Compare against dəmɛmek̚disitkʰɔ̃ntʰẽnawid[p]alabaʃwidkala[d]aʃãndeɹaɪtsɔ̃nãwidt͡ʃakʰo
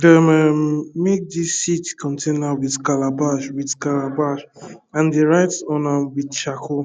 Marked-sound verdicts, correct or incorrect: incorrect, incorrect

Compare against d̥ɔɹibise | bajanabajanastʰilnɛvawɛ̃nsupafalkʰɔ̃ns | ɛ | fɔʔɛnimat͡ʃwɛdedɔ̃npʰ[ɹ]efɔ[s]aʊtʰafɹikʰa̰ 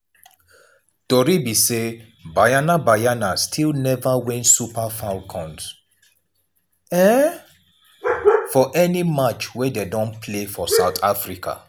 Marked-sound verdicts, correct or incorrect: incorrect, correct

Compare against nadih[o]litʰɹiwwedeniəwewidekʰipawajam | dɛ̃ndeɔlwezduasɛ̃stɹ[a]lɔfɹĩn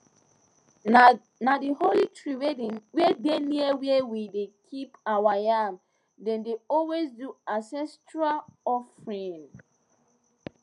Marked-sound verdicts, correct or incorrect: correct, correct

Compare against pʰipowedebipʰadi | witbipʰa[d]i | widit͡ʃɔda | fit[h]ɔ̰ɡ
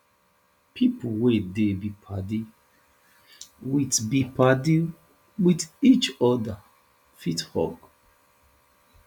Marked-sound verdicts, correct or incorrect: correct, correct

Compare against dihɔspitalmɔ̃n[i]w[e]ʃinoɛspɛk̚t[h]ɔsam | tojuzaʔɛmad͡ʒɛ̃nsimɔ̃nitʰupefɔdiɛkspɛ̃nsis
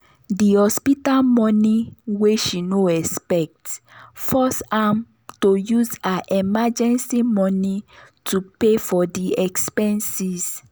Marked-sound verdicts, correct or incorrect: correct, correct, incorrect

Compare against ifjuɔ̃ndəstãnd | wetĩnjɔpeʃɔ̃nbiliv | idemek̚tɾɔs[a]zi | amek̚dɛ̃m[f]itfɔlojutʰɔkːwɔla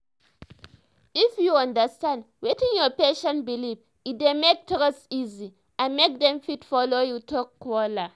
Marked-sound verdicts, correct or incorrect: incorrect, correct

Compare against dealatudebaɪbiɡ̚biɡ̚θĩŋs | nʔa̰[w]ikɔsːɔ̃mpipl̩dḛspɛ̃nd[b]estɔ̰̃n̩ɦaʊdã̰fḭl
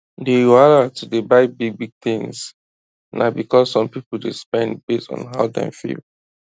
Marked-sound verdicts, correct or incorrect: incorrect, correct

